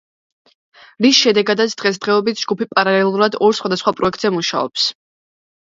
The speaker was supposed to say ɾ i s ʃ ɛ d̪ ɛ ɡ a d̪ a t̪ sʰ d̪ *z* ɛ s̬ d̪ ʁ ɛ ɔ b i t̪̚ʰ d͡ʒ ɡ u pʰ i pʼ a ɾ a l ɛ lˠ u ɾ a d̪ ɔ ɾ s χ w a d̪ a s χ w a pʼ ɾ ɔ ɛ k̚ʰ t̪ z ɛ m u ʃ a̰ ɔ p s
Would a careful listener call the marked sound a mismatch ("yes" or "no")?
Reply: yes